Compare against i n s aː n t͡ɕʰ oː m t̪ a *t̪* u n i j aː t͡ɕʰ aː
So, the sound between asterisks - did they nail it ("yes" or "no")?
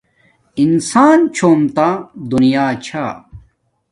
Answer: no